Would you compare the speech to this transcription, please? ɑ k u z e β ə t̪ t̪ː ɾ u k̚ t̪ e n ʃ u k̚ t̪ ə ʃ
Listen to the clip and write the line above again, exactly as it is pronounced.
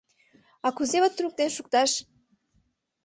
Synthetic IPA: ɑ k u z e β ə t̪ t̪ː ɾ u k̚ t̪ e n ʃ u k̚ t̪ ɑ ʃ